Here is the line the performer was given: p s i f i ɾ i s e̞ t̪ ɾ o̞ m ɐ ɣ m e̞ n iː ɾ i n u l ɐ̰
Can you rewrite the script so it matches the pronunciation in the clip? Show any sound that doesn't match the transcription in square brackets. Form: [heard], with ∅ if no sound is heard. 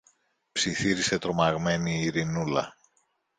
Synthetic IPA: p s i [θ] i ɾ i s e̞ t̪ ɾ o̞ m ɐ ɣ m e̞ n iː ɾ i n u l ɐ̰